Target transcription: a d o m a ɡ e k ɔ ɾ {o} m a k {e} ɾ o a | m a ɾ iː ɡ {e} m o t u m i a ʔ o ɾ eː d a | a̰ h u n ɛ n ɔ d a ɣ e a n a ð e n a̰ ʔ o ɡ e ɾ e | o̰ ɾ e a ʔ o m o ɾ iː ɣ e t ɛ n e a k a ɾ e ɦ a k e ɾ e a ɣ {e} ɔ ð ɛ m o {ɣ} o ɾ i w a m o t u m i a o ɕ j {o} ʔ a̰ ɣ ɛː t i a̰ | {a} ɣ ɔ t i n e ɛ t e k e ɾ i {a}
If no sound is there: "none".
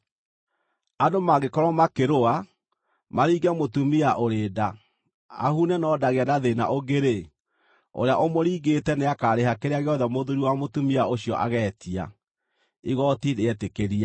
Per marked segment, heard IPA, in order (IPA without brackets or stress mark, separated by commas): ɔ, e, ɛ, e, ð, ɔ, i, a